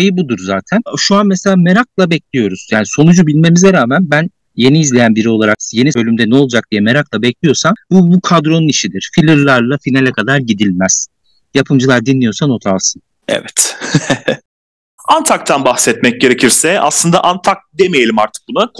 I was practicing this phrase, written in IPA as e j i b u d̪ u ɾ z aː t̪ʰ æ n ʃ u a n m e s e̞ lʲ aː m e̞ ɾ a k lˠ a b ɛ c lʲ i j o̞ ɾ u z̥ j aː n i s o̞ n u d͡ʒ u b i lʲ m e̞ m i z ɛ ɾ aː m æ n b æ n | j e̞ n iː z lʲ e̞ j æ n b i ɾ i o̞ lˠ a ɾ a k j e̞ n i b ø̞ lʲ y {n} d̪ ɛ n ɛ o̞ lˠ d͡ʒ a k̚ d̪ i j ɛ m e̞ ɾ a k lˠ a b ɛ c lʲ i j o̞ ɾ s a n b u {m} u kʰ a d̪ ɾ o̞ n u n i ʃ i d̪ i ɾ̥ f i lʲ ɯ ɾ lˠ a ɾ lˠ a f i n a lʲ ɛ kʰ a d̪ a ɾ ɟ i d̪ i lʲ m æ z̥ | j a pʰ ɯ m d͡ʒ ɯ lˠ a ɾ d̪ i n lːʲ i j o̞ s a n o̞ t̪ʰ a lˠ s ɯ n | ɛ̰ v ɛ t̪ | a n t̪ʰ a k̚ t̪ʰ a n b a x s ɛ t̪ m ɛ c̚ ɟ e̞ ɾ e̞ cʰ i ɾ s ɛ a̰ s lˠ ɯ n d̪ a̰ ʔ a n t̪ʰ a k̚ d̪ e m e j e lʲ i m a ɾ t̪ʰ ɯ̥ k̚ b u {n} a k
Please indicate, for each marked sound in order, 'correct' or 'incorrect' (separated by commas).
incorrect, incorrect, correct